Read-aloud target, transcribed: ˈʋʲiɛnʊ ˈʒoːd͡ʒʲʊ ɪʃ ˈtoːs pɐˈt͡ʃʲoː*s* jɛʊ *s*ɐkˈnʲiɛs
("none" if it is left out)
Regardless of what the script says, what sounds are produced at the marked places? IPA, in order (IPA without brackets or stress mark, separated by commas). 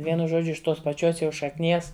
s, ʃ